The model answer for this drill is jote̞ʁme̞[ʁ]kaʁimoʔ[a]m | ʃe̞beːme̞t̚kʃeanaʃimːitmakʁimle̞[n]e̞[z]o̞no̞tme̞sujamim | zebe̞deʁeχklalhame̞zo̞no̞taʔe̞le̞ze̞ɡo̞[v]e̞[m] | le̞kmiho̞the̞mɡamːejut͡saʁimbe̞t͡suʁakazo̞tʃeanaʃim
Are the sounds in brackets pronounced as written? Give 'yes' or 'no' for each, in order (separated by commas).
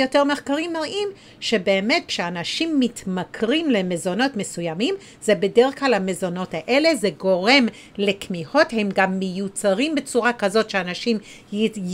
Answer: no, no, no, yes, no, yes